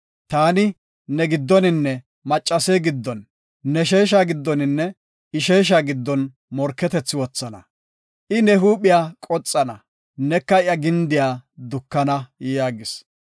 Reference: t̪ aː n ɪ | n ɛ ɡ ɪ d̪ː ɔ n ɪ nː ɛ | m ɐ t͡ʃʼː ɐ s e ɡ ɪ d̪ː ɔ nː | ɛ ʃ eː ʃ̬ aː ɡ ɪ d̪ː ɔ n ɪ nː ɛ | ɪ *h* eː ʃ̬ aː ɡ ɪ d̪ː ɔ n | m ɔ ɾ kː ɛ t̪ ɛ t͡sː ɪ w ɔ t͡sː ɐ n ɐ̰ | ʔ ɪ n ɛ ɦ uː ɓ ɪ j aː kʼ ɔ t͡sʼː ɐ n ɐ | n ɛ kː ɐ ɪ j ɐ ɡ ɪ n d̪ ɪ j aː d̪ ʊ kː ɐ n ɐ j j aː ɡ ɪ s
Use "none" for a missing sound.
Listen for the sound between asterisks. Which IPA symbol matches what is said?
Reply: ʃ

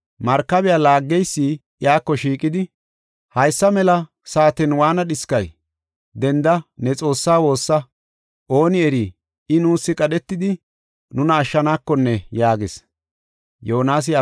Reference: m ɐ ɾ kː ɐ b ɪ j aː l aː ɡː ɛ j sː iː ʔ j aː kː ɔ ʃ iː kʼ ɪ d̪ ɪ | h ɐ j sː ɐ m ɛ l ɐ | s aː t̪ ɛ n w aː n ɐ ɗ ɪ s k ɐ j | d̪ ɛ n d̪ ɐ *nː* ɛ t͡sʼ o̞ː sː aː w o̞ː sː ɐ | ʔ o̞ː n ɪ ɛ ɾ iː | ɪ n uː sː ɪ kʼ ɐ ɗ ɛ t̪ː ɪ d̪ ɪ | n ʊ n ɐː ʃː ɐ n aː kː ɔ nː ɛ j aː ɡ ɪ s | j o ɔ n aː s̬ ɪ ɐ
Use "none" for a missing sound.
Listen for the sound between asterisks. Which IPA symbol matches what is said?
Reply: n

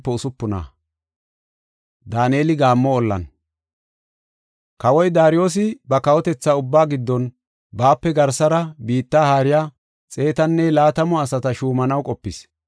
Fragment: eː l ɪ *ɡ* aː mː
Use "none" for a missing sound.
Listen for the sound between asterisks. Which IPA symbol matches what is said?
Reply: ɡ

